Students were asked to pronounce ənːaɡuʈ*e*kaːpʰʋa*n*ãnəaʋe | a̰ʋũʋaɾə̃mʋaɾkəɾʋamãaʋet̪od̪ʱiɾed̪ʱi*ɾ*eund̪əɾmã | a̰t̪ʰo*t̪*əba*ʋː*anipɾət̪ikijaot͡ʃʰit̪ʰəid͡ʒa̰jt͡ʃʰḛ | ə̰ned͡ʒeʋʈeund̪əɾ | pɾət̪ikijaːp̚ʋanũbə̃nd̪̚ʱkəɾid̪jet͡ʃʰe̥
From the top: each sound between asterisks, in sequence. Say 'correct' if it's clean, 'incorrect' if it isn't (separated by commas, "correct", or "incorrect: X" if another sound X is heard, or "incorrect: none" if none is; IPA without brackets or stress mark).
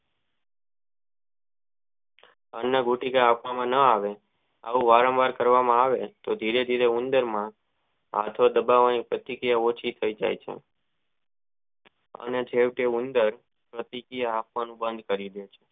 incorrect: i, incorrect: m, correct, incorrect: d̪, incorrect: ʋ